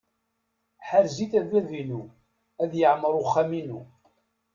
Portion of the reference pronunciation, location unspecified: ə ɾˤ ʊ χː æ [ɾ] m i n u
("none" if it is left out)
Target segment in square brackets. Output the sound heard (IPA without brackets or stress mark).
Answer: none